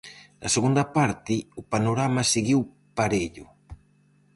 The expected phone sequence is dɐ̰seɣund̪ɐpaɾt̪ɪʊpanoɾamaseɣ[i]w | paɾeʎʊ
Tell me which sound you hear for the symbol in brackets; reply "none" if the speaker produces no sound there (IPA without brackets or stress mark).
i